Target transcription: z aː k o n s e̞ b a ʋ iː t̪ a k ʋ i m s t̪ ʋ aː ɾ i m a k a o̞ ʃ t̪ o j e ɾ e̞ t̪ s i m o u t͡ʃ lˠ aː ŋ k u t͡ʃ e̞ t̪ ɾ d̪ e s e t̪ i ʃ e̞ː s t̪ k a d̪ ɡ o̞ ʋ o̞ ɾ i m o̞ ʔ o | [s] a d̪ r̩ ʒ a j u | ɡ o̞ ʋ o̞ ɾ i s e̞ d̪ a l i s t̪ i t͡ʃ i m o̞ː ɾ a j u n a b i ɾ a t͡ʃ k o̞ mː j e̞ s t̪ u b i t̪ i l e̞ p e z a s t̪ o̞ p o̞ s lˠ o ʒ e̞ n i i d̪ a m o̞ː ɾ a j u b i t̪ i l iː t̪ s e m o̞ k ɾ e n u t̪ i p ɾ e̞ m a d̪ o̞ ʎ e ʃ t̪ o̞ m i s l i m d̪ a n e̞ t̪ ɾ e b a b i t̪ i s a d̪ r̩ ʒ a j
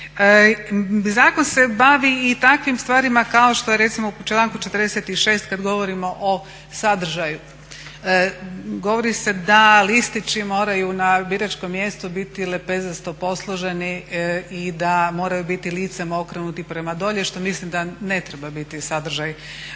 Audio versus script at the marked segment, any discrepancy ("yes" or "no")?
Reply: no